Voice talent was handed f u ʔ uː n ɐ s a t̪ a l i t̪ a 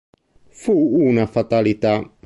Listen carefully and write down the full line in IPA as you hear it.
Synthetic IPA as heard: f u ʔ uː n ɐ f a t̪ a l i t̪ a